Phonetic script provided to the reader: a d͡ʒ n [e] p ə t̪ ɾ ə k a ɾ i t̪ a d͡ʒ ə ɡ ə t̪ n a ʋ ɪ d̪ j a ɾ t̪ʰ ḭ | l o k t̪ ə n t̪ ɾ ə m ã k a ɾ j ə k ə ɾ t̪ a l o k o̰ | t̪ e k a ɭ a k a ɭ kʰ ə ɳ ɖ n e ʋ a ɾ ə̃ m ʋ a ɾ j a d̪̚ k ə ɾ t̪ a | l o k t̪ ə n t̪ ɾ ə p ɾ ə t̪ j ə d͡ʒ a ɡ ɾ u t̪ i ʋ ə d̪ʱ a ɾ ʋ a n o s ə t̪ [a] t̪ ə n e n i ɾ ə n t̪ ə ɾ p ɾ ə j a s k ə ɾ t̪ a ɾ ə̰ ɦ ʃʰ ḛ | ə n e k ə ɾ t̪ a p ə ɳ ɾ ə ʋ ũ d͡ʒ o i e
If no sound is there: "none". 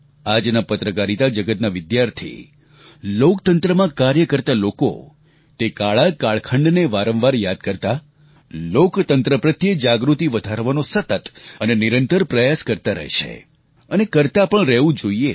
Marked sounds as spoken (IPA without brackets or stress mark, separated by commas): a, ə